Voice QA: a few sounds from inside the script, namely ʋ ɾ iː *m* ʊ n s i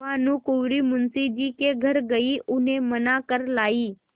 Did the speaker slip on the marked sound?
no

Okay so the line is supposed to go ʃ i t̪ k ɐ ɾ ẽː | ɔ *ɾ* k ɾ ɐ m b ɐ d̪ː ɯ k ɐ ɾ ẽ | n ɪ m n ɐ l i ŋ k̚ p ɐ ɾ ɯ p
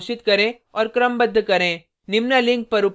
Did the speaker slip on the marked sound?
no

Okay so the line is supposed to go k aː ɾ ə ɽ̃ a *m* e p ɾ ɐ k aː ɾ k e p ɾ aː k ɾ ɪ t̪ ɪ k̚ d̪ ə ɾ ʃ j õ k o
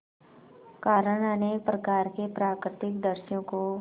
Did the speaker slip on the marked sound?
yes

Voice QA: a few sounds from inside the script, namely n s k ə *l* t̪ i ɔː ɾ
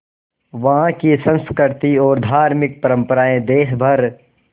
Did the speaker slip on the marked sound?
yes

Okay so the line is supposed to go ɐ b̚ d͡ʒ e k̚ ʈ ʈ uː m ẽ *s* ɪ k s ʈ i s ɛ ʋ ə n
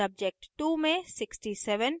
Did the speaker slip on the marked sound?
no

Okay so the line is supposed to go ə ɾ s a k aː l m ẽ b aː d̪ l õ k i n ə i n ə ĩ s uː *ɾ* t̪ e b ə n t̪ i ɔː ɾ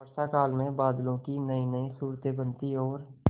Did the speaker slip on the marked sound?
no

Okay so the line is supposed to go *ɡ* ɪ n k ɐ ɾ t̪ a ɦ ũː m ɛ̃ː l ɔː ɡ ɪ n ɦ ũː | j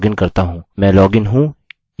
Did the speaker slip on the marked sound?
no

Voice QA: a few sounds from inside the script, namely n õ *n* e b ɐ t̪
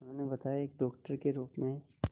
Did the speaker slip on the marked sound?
no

